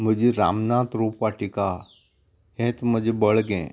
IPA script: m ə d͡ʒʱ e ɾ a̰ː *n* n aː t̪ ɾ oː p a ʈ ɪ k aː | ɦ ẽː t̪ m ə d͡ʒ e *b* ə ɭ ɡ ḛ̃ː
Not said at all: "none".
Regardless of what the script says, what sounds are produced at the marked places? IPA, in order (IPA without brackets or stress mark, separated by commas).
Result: m, b